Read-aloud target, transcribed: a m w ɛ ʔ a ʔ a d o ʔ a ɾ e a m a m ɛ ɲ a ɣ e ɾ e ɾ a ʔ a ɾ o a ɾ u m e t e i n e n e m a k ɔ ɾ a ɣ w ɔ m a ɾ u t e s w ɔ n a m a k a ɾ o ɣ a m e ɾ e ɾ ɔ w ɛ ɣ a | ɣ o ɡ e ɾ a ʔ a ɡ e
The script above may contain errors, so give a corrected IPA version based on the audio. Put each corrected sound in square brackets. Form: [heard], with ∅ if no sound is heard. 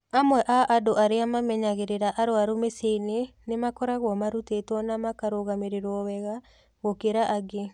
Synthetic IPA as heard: a m w ɛ ʔ a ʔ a d o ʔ a ɾ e a m a m ɛ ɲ a ɣ e ɾ e ɾ a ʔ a ɾ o a ɾ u m e [s] e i n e n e m a k ɔ ɾ a ɣ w ɔ m a ɾ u t e [t] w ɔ n a m a k a ɾ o ɣ a m e ɾ e ɾ ɔ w ɛ ɣ a | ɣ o [k] e ɾ a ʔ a ɡ e

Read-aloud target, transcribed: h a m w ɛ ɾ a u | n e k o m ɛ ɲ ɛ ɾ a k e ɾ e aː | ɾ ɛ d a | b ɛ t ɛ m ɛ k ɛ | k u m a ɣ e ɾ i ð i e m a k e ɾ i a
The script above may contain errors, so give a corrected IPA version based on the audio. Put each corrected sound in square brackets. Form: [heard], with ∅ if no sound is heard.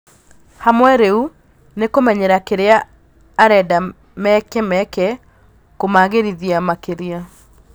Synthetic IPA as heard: h a m w ɛ ɾ [e] u | n e k o m ɛ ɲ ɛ ɾ a k e ɾ e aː | ɾ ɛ d a | [m] ɛ [k] ɛ m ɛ k ɛ | k [o] m a ɣ e ɾ i ð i [a] m a k e ɾ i a

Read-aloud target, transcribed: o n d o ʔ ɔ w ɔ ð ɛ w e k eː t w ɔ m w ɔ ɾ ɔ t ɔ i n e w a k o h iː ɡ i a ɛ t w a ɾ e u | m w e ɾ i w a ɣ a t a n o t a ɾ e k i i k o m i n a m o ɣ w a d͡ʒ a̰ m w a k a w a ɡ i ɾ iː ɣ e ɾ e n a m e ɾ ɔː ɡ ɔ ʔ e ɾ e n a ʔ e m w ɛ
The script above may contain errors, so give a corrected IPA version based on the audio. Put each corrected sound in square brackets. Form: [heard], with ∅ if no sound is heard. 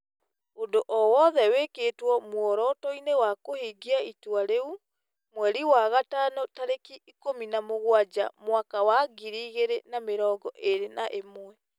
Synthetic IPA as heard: o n d o ʔ ɔ w ɔ ð ɛ w e k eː t w ɔ m w ɔ ɾ ɔ t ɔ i n e w a k o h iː ɡ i a [i] t w a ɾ e u | m w [ɛ] ɾ i w a ɣ a t a n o t a ɾ e k i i k o m i n a m o ɣ w a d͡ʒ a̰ m w a k a w a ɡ i ɾ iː ɣ e ɾ e n a m e ɾ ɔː ɡ ɔ ʔ e ɾ e n a ʔ e m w ɛ

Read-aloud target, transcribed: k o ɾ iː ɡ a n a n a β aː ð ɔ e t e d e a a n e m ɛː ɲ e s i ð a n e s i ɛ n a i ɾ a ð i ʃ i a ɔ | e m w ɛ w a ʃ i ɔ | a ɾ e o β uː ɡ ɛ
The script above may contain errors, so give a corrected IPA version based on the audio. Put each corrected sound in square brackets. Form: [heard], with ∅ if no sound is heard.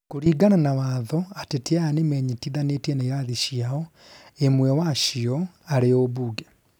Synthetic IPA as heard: k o ɾ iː ɡ a n a n a [w] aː ð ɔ [a] t e [t] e a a n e m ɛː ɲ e [t] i ð a n e [t] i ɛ n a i ɾ a ð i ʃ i a ɔ | e m w ɛ w a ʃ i ɔ | a ɾ e o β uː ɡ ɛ

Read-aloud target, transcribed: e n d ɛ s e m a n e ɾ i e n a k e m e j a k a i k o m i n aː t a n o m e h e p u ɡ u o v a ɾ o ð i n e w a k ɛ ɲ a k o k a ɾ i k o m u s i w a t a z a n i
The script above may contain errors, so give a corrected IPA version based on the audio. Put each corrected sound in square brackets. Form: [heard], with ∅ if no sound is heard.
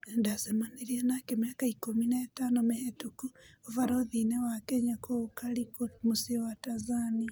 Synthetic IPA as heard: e n d [a] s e m a n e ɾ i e n a k e m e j a k a i k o m i n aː t a n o m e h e [t] u [k] u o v a ɾ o ð i n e w a k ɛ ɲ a k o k a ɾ i k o m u s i w a t a z a n i

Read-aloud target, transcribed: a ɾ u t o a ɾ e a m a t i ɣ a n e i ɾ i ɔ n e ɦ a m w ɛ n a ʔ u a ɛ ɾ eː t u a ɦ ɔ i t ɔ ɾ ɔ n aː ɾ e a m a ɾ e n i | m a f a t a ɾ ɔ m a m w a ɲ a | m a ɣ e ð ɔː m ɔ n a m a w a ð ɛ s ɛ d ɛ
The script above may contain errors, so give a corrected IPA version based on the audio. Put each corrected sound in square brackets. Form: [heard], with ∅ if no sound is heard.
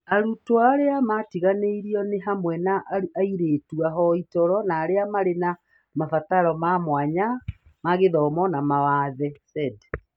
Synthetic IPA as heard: a ɾ u t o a ɾ e a m a t i ɣ a n e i ɾ i ɔ n e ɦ a m w ɛ n a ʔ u a [i] ɾ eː t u a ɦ ɔ i t ɔ ɾ ɔ n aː ɾ e a m a ɾ e n [a] | m a f a t a ɾ ɔ m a m w a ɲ a | m a ɣ e ð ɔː m ɔ n a m a w a ð ɛ s ɛ d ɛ

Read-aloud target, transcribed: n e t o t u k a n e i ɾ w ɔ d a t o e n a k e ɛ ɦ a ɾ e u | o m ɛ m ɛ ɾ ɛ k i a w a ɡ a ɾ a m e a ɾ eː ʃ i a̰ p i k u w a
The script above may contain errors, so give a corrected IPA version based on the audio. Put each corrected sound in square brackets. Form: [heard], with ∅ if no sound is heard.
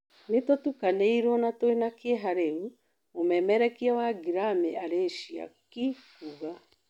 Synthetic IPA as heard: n e t o t u k a n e i ɾ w ɔ [n] a t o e n a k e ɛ ɦ a ɾ e u | o m ɛ m ɛ ɾ ɛ k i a w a ɡ [i] ɾ a m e a ɾ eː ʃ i a̰ [k] i k u [ɣ] a

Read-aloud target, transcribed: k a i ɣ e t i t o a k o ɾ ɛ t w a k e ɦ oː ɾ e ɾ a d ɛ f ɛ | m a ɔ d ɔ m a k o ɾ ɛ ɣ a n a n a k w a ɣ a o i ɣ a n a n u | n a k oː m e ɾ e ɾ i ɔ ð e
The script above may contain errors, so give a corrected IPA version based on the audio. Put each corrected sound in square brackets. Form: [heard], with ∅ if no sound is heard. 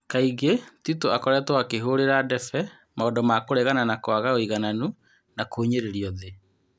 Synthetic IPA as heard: k a i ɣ e t i t o a k [ɔ] ɾ ɛ t w a k e ɦ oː ɾ e ɾ a d ɛ f ɛ | m a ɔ d ɔ m a k o ɾ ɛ ɣ a n a n a k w a ɣ a o i ɣ a n a n u | n a k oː [ɲ] e ɾ e ɾ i ɔ ð e

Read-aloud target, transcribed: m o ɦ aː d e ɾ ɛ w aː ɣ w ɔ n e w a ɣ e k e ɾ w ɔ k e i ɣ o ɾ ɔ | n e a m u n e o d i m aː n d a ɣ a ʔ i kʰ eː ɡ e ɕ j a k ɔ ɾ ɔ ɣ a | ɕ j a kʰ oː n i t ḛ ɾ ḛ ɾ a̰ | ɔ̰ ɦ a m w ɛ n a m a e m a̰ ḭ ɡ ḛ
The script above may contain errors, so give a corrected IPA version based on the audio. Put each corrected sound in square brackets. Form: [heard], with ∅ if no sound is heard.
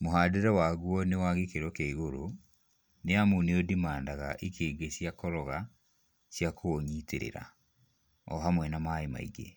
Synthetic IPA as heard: m o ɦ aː d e ɾ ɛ w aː ɣ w ɔ n e w a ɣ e k e ɾ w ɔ k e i ɣ o ɾ [o] | n e a m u n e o d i m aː n d a ɣ a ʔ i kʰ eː ɡ e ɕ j a k ɔ ɾ ɔ ɣ a | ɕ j a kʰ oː [ɲ] i t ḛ ɾ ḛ ɾ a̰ | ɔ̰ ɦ a m w ɛ n a m a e m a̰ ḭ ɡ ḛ

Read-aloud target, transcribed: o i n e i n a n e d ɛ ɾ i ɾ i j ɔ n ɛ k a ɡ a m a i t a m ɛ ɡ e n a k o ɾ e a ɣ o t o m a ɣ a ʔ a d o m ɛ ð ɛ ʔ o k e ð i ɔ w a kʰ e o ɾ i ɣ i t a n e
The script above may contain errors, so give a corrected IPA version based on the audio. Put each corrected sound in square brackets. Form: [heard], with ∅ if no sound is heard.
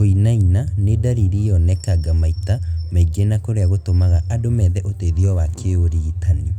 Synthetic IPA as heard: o i n [a] i n a n e d [a] ɾ i ɾ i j ɔ n ɛ k a ɡ a m a i t a m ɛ ɡ e n a k o ɾ e a ɣ o t o m a ɣ a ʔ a d o m ɛ ð ɛ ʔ o [t] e ð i ɔ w a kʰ e o ɾ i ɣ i t a n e

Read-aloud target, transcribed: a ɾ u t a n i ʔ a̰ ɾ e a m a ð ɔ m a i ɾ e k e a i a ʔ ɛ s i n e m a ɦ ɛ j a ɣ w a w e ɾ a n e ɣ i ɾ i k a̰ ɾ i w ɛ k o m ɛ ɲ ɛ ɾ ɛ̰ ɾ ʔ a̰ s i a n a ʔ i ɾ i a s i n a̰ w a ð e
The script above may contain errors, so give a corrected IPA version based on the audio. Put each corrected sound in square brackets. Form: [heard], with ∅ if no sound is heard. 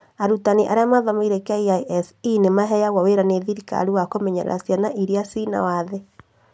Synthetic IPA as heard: a ɾ u t a n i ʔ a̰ ɾ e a m a ð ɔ m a i ɾ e k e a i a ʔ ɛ s i n e m a ɦ ɛ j a ɣ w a w e ɾ a n e [ð] i ɾ i k a̰ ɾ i w [a] k o m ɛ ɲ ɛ ɾ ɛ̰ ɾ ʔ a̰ s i a n a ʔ i ɾ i a s i n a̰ w a ð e

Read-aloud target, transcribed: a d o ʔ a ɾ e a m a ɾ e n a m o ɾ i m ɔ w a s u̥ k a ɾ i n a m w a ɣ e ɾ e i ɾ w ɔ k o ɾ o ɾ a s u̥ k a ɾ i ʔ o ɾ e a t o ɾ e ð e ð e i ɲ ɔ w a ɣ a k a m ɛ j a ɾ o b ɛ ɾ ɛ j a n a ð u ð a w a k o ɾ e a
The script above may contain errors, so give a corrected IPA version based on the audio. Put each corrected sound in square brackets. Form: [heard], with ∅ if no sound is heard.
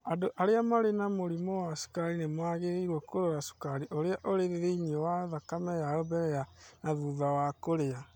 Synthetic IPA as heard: a d o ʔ a ɾ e a m a ɾ e n a m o ɾ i m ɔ w a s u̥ k a ɾ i n [e] m w a ɣ e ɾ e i ɾ w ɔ k o ɾ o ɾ a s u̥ k a ɾ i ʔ o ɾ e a [ʔ] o ɾ e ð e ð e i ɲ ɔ w a [ð] a k a m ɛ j a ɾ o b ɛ ɾ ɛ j a n a ð u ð a w a k o ɾ e a

